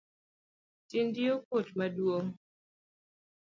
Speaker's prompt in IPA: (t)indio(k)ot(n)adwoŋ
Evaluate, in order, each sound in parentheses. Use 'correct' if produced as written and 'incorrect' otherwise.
correct, correct, incorrect: m

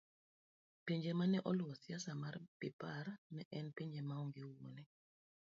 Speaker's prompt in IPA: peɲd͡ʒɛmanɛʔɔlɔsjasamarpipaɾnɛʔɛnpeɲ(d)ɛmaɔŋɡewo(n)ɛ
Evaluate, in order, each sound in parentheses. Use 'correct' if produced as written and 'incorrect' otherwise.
incorrect: d͡ʒ, correct

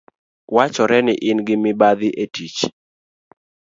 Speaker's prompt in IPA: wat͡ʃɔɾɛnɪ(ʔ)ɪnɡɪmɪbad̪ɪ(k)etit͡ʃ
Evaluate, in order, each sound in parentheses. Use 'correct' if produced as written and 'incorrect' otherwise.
correct, incorrect: ʔ

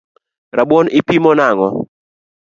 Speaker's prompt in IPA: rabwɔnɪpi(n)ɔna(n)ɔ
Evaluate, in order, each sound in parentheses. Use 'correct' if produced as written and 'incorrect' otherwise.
incorrect: m, incorrect: ŋ

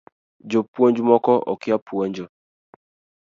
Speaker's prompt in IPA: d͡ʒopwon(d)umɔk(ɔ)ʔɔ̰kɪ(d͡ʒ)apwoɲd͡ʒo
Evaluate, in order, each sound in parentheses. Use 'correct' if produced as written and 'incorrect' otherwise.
incorrect: d͡ʒ, correct, incorrect: none

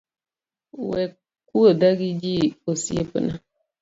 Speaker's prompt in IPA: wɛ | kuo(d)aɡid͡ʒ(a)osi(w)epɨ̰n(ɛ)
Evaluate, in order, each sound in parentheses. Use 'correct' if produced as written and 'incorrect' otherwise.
correct, incorrect: i, incorrect: none, incorrect: a

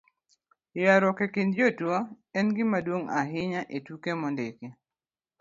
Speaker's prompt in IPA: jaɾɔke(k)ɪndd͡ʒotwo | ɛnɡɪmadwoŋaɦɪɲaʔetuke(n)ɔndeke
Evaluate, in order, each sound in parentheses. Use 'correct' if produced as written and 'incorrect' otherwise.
correct, incorrect: m

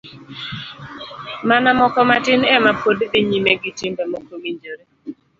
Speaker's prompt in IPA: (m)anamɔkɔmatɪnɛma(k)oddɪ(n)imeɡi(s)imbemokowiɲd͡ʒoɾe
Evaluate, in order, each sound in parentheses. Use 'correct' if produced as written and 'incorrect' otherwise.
correct, incorrect: p, incorrect: ɲ, incorrect: t

